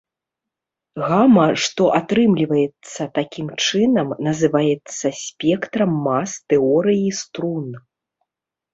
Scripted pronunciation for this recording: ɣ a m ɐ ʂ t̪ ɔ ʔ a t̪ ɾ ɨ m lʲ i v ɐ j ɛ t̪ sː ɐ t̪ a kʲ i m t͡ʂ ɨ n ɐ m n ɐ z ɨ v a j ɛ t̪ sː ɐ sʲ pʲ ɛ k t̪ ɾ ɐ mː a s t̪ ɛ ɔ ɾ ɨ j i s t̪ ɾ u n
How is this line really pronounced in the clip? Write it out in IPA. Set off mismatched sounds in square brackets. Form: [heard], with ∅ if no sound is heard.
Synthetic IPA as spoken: ɣ a m ɐ ʂ t̪ ɔ ʔ a t̪ ɾ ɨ m lʲ i v ɐ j ɛ t̪ sː ɐ t̪ a kʲ i m t͡ʂ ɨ n ɐ m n ɐ z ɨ v a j ɛ t̪ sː ɐ sʲ pʲ ɛ k t̪ ɾ ɐ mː a s t̪ ɛ ɔ ɾ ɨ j i s t̪ ɾ u n